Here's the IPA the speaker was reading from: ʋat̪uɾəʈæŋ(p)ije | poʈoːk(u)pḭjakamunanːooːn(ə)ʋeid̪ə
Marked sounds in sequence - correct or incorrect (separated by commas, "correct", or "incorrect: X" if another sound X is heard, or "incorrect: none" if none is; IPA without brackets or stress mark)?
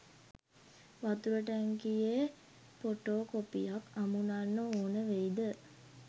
incorrect: k, incorrect: o, correct